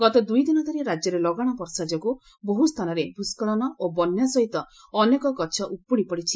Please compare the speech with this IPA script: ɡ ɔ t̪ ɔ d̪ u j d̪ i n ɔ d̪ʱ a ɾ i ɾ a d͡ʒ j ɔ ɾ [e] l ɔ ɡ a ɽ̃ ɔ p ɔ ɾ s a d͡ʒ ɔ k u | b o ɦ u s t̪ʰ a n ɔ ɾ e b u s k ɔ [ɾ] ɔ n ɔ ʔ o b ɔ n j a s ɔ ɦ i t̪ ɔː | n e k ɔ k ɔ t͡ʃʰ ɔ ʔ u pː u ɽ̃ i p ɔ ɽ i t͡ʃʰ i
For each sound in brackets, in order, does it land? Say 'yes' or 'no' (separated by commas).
yes, no